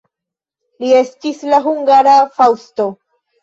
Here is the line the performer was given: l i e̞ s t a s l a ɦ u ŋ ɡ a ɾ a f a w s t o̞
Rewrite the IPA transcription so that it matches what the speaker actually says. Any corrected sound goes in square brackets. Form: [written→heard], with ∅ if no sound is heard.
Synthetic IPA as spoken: l i e̞ s t [a→i] s l a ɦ u ŋ ɡ a ɾ a f a w s t o̞